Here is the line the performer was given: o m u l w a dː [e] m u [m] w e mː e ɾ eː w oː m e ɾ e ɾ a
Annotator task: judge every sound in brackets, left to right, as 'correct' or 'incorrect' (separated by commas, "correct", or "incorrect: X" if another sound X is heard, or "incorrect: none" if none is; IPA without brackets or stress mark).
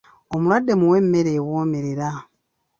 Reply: correct, incorrect: none